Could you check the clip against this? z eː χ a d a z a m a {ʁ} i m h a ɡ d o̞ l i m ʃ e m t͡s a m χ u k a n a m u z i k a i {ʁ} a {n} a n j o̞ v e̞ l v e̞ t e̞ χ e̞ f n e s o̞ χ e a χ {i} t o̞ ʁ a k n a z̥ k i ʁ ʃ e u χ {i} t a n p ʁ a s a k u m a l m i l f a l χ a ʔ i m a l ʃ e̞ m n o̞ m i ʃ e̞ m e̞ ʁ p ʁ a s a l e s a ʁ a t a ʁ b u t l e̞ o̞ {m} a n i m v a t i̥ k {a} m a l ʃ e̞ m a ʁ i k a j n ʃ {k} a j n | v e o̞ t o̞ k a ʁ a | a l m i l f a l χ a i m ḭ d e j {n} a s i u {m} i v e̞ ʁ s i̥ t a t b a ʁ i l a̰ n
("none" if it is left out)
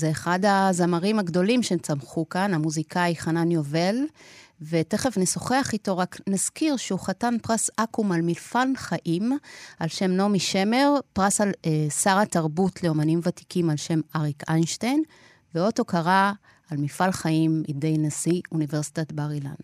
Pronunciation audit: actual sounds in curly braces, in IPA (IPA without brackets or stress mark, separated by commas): ʁ, χ, n, i, a, m, i, t, n, n